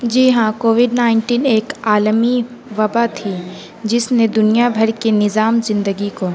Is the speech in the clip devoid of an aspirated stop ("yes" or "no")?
no